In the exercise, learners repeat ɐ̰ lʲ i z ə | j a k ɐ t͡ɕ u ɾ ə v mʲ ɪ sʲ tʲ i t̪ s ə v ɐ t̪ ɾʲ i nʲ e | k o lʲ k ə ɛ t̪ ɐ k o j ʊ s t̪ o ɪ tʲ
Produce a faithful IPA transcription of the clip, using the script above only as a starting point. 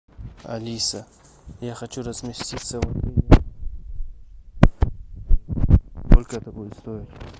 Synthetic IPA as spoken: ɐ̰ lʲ i s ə | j a x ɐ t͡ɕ u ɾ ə z mʲ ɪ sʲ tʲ i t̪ s ə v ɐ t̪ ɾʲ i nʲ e | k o lʲ k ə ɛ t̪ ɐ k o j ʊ s t̪ o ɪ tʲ

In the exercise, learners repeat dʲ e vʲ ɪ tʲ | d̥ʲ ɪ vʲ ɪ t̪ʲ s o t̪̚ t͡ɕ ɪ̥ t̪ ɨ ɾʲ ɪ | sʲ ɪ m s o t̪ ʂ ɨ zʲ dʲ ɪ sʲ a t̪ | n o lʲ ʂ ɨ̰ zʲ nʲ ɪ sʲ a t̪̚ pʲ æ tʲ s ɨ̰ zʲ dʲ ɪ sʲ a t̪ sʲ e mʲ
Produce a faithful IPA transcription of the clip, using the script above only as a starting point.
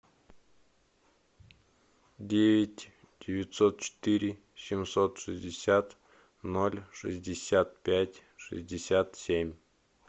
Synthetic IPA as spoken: dʲ e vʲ ɪ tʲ | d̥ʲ ɪ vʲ ɪ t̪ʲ s o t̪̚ t͡ɕ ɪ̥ t̪ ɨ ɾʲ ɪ | sʲ ɪ m s o t̪ ʂ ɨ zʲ dʲ ɪ sʲ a t̪ | n o lʲ ʂ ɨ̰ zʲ dʲ ɪ sʲ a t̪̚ pʲ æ tʲ ʂ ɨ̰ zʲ dʲ ɪ sʲ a t̪ sʲ e mʲ

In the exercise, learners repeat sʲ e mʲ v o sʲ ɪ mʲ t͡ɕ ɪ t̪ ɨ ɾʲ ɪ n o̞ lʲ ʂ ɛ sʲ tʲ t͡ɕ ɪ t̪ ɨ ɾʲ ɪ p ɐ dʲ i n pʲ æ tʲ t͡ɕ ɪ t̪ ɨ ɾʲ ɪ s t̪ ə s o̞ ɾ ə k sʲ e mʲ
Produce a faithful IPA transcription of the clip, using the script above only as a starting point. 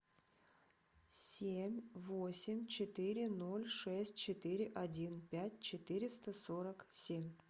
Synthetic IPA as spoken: sʲ e mʲ v o sʲ ɪ mʲ t͡ɕ ɪ t̪ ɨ ɾʲ ɪ n o̞ lʲ ʂ ɛ sʲ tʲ t͡ɕ ɪ t̪ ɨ ɾʲ ɪ ʔ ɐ dʲ i n pʲ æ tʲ t͡ɕ ɪ t̪ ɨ ɾʲ ɪ s t̪ ə s o̞ ɾ ə k sʲ e mʲ

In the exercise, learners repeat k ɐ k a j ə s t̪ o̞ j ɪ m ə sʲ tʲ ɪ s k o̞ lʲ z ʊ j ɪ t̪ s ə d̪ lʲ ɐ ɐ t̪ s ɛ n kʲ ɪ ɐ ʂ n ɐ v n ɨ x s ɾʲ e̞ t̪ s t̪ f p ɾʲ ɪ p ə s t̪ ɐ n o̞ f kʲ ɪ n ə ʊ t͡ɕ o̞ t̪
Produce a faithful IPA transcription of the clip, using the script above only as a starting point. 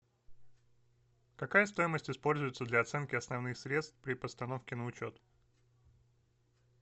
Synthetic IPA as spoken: k ɐ k a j ə s t̪ o̞ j ɪ m ə sʲ tʲ ɪ s p o̞ lʲ z ʊ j ɪ t̪ s ə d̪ lʲ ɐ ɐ t̪ s ɛ n kʲ ɪ ɐ s n ɐ v n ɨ x s ɾʲ e̞ t̪ s t̪ f p ɾʲ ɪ p ə s t̪ ɐ n o̞ f kʲ ɪ n ə ʊ t͡ɕ o̞ t̪

